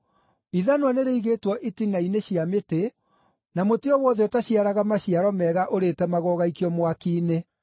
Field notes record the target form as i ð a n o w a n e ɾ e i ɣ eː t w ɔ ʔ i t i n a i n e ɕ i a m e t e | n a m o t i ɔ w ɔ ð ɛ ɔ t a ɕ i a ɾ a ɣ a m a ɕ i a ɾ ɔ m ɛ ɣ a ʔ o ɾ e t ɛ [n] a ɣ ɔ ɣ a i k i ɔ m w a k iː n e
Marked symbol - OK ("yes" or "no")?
no